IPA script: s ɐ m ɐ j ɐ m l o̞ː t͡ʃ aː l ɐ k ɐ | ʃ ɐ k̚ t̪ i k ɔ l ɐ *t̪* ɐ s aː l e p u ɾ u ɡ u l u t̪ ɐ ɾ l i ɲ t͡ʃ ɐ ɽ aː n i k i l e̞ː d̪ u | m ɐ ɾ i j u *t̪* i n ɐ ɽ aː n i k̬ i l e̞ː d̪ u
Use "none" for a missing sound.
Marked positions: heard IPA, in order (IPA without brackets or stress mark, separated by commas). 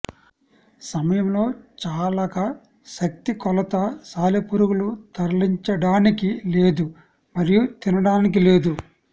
t̪, t̪